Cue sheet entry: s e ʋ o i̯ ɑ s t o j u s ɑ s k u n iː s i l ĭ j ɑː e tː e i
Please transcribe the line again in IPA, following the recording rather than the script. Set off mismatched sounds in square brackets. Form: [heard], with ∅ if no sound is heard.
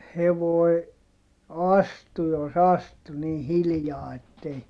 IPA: [h] e ʋ o i̯ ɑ s t [u] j [o] s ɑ s [t] u n iː [h] i l ĭ j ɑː e tː e i